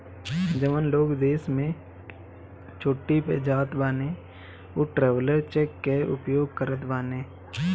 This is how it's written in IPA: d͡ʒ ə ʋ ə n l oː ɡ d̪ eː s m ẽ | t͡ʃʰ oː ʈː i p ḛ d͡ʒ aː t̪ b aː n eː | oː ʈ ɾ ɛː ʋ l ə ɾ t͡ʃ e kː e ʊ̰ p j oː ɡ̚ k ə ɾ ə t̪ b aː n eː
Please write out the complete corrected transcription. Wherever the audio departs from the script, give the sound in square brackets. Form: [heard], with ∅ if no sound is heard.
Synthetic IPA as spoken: d͡ʒ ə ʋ ə n l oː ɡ d̪ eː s m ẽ | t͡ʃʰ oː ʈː i p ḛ d͡ʒ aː t̪ b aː n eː | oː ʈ ɾ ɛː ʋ l ə ɾ t͡ʃ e kː e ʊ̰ p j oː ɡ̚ k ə ɾ ə t̪ b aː n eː